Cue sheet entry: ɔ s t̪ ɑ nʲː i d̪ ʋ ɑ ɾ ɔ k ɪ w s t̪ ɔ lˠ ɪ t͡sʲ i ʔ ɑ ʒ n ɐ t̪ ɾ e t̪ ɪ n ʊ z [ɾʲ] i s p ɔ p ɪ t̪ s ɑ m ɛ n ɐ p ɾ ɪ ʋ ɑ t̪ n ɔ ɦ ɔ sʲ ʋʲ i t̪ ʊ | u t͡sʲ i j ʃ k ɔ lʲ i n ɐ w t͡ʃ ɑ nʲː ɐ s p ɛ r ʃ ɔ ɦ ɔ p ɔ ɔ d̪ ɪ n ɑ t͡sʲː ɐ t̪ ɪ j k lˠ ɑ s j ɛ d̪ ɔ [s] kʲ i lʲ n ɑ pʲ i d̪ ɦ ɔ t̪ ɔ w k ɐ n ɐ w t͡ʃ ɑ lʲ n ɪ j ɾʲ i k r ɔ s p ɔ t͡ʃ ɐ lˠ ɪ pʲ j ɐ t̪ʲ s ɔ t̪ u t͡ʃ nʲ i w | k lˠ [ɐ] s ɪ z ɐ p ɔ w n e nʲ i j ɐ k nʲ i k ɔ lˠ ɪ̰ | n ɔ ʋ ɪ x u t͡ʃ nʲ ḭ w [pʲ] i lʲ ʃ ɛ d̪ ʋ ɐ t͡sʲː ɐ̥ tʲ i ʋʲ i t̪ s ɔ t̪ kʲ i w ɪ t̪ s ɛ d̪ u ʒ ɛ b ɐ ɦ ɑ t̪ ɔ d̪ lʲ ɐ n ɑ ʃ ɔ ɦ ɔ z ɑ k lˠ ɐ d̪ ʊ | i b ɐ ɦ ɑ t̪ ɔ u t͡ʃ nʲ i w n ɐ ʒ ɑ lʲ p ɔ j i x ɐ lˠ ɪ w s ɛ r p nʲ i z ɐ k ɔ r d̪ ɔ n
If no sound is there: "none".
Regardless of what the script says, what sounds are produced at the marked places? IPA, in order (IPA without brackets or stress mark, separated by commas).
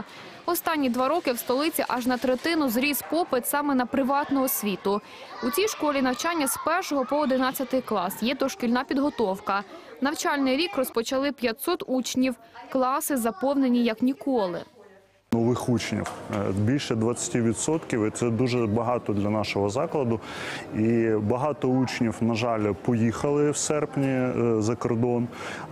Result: ɾʲ, ʃ, ɑ, bʲ